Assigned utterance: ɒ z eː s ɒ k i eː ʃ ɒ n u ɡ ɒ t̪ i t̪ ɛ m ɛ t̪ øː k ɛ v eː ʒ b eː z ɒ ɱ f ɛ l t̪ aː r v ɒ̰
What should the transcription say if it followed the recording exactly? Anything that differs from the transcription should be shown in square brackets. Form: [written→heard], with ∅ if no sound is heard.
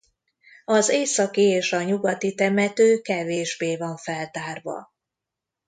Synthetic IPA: ɒ z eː s ɒ k i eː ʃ ɒ [n→ɲ] u ɡ ɒ t̪ i t̪ ɛ m ɛ t̪ øː k ɛ v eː ʒ b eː [z→v] ɒ ɱ f ɛ l t̪ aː r v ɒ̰